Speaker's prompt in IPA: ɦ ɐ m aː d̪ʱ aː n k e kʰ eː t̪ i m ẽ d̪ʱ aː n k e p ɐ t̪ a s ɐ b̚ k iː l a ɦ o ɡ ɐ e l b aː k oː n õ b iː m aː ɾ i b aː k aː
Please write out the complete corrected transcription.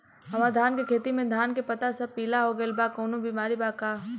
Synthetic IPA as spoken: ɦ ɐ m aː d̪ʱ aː n k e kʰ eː t̪ i m ẽ d̪ʱ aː n k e p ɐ t̪ a s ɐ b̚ p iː l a ɦ o ɡ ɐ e l b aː k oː n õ b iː m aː ɾ i b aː k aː